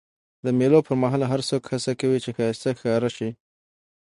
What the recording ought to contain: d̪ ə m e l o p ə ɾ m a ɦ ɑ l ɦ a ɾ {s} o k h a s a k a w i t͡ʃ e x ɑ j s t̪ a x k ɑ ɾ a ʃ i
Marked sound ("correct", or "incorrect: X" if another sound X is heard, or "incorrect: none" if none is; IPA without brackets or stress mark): correct